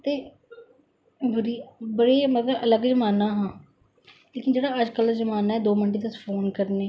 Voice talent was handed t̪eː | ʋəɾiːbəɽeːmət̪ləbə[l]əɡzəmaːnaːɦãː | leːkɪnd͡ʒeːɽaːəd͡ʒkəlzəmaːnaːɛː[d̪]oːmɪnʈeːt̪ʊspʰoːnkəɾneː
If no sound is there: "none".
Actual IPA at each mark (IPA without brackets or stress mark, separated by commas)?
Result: l, d̪